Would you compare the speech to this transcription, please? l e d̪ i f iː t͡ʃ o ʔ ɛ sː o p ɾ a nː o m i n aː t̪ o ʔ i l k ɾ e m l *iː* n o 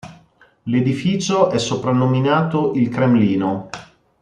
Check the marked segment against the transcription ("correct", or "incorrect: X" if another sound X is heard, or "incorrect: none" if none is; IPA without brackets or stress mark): correct